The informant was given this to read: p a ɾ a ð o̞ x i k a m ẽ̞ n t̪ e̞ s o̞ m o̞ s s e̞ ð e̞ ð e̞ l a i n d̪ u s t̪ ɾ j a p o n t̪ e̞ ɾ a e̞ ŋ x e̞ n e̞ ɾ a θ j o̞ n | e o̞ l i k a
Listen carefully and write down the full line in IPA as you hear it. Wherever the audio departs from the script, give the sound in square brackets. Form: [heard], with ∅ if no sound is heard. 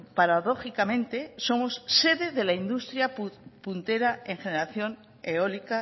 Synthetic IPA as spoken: p a ɾ a ð o̞ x i k a m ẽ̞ n t̪ e̞ s o̞ m o̞ s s e̞ ð e̞ ð e̞ l a i n d̪ u s t̪ ɾ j a p [u] n t̪ e̞ ɾ a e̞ ŋ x e̞ n e̞ ɾ a θ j o̞ n | e o̞ l i k a